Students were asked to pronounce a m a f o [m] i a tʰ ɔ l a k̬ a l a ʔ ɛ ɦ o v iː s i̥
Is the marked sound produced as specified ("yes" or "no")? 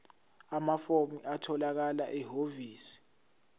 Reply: yes